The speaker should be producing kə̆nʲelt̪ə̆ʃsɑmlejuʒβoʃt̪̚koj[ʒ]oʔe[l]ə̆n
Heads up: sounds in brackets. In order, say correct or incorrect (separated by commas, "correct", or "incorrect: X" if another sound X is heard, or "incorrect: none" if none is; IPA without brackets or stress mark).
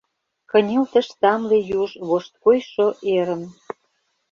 incorrect: ʃ, incorrect: ɾ